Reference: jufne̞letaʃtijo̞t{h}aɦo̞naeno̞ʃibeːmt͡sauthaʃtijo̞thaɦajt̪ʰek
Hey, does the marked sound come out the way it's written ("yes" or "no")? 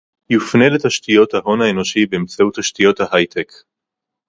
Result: yes